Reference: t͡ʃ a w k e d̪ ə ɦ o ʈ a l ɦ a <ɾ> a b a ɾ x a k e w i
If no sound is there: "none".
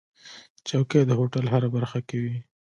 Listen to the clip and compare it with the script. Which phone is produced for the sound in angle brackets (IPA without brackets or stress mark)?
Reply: ɾ